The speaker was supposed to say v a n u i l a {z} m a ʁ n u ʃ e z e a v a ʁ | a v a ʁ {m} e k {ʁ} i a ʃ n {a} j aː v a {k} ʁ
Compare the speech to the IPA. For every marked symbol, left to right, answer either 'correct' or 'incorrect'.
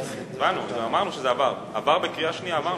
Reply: incorrect: none, incorrect: b, correct, incorrect: i, incorrect: none

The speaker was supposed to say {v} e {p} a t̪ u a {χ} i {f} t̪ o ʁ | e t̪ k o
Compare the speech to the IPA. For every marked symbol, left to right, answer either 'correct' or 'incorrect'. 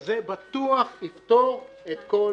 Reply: incorrect: z, incorrect: b, correct, correct

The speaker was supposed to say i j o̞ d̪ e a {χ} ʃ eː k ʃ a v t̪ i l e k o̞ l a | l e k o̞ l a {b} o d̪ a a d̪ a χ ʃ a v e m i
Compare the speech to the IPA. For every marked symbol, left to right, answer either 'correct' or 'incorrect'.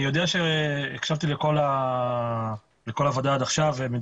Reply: incorrect: none, incorrect: v

